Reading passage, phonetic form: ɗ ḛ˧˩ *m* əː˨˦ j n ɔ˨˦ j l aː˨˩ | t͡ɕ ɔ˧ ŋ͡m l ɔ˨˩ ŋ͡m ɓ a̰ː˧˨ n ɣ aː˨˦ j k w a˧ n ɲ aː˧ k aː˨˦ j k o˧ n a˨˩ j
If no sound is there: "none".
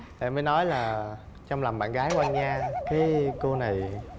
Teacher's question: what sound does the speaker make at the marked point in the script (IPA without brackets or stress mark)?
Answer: m